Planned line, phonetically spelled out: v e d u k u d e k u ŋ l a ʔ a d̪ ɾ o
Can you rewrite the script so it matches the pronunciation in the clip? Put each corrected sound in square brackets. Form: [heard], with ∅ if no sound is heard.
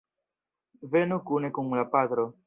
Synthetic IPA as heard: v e [n] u k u [n] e k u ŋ l a [p] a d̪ ɾ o